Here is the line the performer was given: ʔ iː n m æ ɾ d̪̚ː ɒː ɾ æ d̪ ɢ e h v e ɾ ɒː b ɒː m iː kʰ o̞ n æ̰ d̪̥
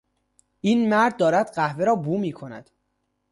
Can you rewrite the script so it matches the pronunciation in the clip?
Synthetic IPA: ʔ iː n m æ ɾ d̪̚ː ɒː ɾ æ d̪ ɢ æ h v e ɾ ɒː b uː m iː kʰ o̞ n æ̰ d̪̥